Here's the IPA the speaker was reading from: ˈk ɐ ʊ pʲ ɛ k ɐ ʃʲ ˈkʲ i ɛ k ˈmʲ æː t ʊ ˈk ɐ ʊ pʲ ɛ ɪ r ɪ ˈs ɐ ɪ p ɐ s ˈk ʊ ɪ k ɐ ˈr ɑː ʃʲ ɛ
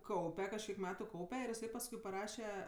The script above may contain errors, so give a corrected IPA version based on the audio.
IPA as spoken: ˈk ɐ ʊ pʲ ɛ k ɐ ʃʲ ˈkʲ i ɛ k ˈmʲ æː t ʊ ˈk ɐ ʊ pʲ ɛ ɪ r ɪ ˈs ɐ ɪ p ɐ s ˈk ʊ ɪ p ɐ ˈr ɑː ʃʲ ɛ